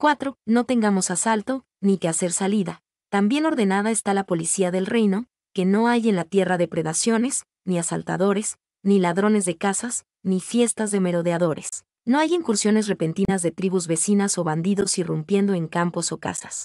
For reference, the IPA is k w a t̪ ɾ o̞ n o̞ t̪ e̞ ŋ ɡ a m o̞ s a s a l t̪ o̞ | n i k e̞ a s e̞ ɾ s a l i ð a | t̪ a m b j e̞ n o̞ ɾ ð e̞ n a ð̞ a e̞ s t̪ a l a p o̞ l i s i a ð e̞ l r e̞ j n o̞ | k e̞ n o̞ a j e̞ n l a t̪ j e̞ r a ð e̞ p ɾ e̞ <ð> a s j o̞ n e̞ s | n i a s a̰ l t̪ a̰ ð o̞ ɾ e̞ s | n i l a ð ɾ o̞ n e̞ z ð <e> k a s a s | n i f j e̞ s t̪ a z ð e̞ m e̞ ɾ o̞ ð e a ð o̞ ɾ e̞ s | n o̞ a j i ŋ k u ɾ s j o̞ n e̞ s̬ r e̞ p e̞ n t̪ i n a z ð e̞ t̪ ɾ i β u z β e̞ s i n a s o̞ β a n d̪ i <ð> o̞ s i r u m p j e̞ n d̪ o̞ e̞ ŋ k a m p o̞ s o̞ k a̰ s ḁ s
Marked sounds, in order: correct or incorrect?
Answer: correct, correct, correct

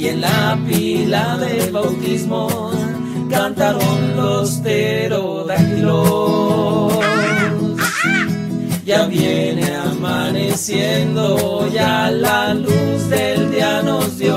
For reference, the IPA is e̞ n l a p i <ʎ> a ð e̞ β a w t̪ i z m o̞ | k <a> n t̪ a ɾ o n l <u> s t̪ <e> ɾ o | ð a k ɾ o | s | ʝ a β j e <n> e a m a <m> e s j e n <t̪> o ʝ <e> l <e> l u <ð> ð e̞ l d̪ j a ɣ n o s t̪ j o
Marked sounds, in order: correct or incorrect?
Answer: incorrect: l, correct, incorrect: o, correct, correct, incorrect: n, incorrect: d̪, incorrect: a, incorrect: a, incorrect: z

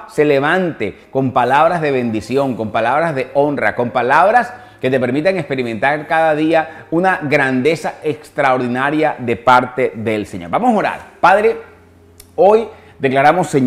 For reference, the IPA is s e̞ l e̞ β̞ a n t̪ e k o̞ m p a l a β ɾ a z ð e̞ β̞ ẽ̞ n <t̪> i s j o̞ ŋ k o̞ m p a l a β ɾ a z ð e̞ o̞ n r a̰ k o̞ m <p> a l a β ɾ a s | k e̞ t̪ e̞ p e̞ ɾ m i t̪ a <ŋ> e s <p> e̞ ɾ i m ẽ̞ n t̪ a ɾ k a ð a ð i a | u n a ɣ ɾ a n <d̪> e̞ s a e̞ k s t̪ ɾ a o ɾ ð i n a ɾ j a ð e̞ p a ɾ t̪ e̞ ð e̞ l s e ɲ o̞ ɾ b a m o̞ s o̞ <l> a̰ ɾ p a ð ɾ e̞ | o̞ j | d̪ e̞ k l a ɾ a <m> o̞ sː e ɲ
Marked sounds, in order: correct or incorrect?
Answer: incorrect: d̪, correct, correct, correct, correct, incorrect: ɾ, correct

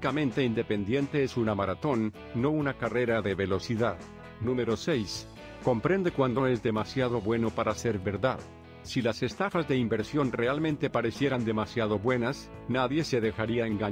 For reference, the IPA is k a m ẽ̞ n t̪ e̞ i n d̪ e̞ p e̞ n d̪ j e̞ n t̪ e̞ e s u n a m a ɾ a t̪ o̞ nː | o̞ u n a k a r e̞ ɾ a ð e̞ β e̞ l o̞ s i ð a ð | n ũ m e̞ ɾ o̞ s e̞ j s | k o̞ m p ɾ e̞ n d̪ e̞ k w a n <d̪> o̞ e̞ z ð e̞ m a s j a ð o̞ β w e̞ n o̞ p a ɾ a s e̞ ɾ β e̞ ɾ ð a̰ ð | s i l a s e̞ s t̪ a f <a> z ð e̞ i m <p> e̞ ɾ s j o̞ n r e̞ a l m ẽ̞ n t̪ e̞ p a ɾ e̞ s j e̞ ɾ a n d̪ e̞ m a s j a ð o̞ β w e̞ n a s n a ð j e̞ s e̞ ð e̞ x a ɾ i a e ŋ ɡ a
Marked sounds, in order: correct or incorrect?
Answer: correct, correct, incorrect: b

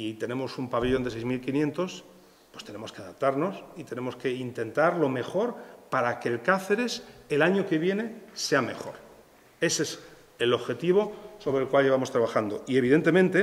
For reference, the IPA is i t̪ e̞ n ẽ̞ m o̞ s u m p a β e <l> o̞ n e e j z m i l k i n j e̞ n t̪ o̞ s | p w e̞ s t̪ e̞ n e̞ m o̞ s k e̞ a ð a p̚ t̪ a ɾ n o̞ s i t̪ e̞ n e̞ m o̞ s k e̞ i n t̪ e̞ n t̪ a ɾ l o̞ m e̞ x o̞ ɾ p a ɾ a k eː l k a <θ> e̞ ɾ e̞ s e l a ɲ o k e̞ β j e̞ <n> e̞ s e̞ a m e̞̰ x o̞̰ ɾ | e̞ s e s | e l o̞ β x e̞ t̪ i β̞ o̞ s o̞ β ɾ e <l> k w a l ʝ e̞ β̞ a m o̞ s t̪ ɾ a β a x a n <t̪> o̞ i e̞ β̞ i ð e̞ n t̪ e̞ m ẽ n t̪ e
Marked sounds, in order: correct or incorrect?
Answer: incorrect: ʎ, correct, correct, correct, incorrect: d̪

